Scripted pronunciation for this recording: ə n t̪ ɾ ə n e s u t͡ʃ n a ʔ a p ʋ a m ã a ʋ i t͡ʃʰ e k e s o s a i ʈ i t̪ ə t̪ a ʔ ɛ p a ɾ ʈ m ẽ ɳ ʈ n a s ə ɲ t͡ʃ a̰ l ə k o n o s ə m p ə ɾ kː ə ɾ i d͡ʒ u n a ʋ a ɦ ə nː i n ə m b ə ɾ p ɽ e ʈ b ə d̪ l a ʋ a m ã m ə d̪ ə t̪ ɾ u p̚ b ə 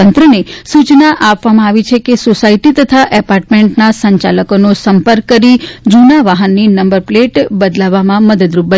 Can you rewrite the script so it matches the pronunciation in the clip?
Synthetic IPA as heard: ə n t̪ ɾ ə n e s u t͡ʃ n a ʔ a p ʋ a m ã a ʋ i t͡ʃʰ e k e s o s a i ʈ i t̪ ə t̪ʰ a ʔ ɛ p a ɾ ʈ m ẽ ɳ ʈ n a s ə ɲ t͡ʃ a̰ l ə k o n o s ə m p ə ɾ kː ə ɾ i d͡ʒ u n a ʋ a ɦ ə nː i n ə m b ə ɾ p l e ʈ b ə d̪ l a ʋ a m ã m ə d̪ ə d̪ ɾ u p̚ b ə